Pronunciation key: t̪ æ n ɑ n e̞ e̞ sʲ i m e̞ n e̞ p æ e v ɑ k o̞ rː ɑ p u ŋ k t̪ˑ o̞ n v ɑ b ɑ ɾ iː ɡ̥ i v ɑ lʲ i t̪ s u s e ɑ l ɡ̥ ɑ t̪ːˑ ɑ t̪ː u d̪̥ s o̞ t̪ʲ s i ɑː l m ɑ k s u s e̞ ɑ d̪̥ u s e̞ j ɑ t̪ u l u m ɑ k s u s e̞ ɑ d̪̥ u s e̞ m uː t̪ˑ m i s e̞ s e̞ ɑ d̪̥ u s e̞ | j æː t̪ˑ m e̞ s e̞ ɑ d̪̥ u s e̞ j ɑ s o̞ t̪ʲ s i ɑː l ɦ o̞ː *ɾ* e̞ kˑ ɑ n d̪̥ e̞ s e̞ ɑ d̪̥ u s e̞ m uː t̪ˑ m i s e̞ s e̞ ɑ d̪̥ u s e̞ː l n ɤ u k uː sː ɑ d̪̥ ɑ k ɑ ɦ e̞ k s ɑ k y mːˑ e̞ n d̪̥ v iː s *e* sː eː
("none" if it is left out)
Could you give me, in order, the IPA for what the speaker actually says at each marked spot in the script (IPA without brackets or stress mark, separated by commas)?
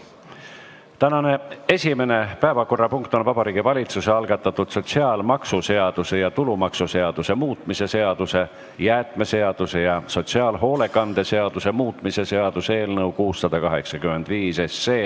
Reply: l, e